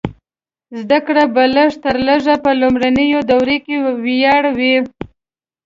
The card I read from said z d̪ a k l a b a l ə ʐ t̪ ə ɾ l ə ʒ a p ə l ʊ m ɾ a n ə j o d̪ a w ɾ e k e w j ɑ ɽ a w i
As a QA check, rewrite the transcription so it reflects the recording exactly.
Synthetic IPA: z d̪ a k ɽ a b a l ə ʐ t̪ ə ɾ l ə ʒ a p ə l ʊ m ɾ a n ə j o d̪ a w ɾ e k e w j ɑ ɽ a w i